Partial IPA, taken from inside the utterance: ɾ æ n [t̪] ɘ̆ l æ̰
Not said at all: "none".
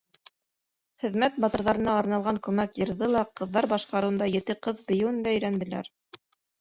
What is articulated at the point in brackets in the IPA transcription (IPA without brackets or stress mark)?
d̪